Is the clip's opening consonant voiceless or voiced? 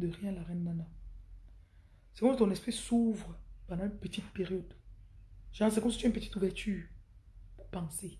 voiced